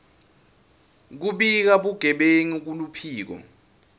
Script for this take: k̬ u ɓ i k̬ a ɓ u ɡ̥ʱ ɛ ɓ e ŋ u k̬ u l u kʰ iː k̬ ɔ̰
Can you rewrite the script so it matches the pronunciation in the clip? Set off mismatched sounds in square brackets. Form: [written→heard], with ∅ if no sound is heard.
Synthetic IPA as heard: k̬ u ɓ i k̬ a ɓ u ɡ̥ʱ ɛ ɓ e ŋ u k̬ u l u [kʰ→pʰ] iː k̬ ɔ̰